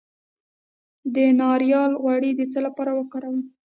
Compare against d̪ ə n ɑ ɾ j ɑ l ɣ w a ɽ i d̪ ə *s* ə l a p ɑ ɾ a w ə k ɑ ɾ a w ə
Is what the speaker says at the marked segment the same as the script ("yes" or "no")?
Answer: no